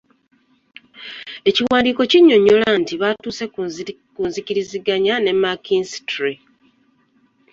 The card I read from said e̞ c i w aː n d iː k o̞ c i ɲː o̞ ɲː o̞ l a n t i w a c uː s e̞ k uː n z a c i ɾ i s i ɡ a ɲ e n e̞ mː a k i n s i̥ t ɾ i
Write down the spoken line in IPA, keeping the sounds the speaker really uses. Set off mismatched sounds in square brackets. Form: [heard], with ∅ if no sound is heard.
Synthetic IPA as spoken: e̞ c i w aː n d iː k o̞ c i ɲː o̞ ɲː o̞ l a n t i [β] a [t] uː s e̞ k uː n z [i] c i ɾ i [z] i ɡ a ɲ [a] n e̞ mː a k i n s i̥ t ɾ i